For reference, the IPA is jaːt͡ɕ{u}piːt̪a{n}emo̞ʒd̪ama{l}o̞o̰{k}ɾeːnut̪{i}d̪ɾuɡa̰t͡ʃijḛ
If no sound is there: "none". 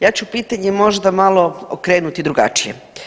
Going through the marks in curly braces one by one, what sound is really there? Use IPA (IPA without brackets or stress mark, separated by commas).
u, ɲ, l, k, i